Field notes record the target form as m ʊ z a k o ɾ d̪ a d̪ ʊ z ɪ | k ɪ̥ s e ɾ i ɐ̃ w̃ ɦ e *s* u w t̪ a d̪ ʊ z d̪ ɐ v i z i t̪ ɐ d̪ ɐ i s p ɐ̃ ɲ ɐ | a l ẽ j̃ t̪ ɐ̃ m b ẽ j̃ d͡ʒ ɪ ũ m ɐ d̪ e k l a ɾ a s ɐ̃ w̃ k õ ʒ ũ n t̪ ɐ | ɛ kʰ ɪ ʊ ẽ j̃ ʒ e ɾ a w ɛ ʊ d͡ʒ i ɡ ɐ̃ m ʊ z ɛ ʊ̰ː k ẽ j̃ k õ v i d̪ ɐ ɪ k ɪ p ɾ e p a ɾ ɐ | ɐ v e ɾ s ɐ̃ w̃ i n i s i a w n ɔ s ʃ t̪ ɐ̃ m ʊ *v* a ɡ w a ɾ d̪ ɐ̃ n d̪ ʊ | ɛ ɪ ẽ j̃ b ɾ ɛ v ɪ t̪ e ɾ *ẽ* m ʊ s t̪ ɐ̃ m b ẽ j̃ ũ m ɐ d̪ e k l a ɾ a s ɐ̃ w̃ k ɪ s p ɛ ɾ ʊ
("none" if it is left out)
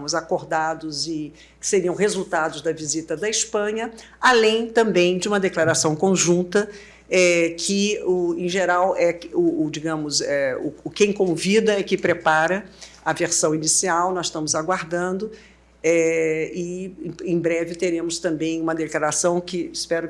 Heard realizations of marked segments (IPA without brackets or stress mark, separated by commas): z, z, ẽ